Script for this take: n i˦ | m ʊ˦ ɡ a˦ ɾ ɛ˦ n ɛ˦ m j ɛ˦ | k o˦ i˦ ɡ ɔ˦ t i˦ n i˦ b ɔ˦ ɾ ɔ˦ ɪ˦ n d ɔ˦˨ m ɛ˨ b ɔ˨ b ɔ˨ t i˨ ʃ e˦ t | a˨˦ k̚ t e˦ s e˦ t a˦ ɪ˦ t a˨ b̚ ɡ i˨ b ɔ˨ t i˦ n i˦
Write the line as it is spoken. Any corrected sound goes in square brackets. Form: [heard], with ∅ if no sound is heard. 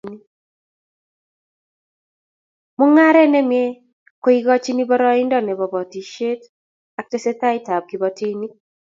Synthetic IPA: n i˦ | m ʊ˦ [ŋ] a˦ ɾ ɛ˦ n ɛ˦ m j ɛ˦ | k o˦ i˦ ɡ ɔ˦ [t͡ʃ] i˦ n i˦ b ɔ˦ ɾ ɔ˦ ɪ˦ n d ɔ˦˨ [n] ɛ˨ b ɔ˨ b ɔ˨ t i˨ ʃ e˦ t | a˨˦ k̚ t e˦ s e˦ t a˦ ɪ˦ t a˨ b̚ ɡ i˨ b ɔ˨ t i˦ n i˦

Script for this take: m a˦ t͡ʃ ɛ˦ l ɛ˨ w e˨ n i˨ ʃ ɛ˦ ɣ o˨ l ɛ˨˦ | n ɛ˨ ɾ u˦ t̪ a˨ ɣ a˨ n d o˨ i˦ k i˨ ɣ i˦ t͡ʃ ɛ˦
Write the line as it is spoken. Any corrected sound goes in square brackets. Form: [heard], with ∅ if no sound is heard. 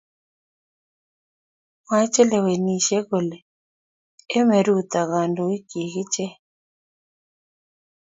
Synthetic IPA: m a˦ t͡ʃ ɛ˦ l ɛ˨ w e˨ n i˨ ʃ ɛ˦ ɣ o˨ l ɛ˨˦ | [m] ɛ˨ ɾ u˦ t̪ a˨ ɣ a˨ n d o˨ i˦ k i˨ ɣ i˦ t͡ʃ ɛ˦

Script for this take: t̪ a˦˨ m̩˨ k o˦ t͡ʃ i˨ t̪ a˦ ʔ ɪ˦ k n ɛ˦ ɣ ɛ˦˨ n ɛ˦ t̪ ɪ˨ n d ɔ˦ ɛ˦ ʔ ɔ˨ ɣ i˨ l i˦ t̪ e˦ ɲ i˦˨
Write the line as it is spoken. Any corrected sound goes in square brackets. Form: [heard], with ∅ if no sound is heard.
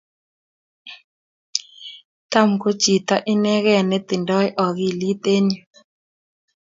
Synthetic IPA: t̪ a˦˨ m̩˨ k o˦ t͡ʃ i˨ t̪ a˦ ʔ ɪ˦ [∅] n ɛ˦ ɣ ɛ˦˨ n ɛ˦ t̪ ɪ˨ n d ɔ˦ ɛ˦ ʔ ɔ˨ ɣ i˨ l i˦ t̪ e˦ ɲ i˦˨

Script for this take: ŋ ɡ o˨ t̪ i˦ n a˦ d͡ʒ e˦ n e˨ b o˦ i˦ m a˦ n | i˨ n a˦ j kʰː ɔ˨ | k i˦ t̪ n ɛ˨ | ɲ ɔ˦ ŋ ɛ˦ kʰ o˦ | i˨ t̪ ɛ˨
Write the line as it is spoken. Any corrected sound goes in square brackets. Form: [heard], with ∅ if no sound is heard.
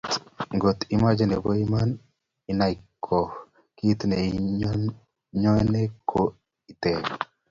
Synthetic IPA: ŋ ɡ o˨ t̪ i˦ [m] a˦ d͡ʒ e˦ n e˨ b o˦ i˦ m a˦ n | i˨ n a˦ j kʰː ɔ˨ | k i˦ t̪ n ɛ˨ | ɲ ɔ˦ [n] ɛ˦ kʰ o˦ | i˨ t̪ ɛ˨

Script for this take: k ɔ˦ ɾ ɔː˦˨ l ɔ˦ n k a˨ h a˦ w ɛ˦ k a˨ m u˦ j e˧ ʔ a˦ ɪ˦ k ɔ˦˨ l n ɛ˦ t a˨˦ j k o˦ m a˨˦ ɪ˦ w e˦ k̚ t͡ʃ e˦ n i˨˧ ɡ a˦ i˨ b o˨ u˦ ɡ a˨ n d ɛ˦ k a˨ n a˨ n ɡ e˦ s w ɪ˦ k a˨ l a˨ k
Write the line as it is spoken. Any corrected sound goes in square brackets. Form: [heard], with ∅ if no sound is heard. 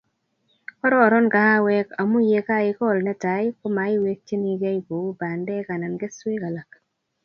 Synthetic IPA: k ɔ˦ ɾ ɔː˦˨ [ɾ] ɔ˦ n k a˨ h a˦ w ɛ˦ k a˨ m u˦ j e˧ [k] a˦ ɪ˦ k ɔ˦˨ l n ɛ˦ t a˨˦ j k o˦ m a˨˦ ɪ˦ w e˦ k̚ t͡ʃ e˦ n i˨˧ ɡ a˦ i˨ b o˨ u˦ [b] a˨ n d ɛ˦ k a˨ n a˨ n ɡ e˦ s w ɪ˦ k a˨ l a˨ k

